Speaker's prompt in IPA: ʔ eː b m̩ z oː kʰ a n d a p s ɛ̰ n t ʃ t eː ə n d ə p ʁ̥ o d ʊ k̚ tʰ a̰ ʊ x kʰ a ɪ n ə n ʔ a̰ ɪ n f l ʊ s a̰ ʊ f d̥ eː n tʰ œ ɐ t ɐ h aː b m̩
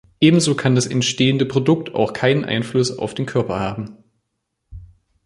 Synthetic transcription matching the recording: ʔ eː b m̩ z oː kʰ a n d a s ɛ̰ n t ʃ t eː ə n d ə p ʁ̥ o d ʊ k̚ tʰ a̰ ʊ x kʰ a ɪ n ə n ʔ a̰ ɪ n f l ʊ s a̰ ʊ f d̥ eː n kʰ œ ɐ p ɐ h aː b m̩